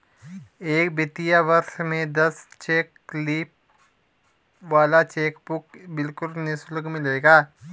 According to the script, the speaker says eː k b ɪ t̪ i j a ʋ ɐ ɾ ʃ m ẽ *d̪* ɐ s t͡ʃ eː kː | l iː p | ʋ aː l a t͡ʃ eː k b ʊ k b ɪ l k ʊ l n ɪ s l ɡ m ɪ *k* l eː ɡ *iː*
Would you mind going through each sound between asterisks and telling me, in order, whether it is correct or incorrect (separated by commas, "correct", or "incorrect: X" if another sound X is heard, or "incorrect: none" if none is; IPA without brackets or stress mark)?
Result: correct, incorrect: none, incorrect: aː